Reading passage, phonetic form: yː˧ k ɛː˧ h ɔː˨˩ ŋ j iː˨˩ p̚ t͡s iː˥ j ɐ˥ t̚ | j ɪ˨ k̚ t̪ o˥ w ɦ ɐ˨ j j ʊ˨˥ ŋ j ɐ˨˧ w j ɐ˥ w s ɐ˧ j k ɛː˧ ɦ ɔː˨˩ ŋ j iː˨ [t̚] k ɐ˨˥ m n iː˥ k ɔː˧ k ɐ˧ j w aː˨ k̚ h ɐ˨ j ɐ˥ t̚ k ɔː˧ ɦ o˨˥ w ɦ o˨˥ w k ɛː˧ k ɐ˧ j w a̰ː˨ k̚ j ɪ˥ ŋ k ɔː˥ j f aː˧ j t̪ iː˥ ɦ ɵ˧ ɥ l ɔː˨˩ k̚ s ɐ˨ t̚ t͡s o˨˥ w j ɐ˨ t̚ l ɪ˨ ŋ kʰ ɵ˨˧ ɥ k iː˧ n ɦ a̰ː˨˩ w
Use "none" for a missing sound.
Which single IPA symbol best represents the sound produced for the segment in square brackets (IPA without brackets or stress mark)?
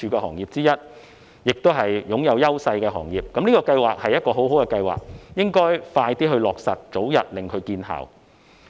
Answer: p̚